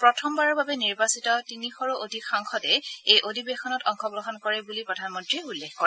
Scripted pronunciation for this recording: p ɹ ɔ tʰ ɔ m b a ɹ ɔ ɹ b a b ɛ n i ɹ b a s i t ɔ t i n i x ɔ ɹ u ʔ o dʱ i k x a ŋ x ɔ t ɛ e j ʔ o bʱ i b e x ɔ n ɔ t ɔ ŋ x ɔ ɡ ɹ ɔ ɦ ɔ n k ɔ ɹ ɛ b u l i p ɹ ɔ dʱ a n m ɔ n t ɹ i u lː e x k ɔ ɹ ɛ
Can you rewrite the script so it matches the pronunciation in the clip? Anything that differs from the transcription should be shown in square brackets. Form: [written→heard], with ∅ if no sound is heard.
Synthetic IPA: p ɹ ɔ tʰ ɔ m b a ɹ ɔ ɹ b a b ɛ n i ɹ b a s i t ɔ t i n i x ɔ ɹ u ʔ o dʱ i k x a ŋ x ɔ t ɛ e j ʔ o [bʱ→dʱ] i b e x ɔ n ɔ t ɔ ŋ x ɔ ɡ ɹ ɔ ɦ ɔ n k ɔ ɹ ɛ b u l i p ɹ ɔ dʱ a n m ɔ n t ɹ i u lː e x k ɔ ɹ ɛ